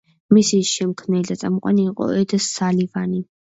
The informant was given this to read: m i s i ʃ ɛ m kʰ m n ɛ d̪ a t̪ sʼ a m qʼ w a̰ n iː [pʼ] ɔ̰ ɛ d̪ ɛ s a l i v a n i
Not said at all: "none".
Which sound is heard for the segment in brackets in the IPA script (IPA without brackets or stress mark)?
qʼ